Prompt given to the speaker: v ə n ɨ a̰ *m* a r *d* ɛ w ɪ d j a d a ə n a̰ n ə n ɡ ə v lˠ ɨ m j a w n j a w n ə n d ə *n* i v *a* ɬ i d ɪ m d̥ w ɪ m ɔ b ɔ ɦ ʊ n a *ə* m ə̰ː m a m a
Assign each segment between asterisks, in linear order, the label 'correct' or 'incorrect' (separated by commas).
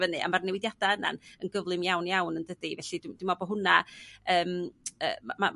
correct, incorrect, incorrect, incorrect, incorrect